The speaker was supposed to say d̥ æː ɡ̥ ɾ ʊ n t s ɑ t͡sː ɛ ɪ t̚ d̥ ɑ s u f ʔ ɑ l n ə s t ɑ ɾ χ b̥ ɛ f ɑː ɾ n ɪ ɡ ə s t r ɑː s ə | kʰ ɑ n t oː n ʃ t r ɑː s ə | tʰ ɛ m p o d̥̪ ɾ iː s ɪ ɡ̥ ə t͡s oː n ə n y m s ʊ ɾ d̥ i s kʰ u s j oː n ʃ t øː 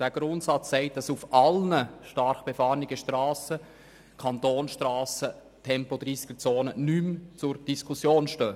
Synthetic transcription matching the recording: d̥ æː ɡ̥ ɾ ʊ n t s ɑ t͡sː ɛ ɪ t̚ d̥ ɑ s u f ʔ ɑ l n ə ʃ t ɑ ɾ χ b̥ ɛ f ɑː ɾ n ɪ ɡ ə ʃ t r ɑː s ə | kʰ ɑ n t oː n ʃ t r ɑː s ə | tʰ ɛ m p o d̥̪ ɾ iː s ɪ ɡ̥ ə t͡s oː n ə n y m t͡s ʊ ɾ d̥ i s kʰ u s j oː n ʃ t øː